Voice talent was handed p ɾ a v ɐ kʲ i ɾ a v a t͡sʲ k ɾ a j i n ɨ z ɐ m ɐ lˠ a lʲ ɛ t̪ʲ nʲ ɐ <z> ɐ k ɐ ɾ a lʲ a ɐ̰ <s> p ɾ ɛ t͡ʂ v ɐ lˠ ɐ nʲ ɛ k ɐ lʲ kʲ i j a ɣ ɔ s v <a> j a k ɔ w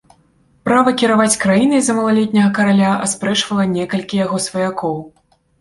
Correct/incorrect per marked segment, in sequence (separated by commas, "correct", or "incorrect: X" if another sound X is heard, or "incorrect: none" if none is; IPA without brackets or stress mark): incorrect: ɣ, correct, incorrect: ɐ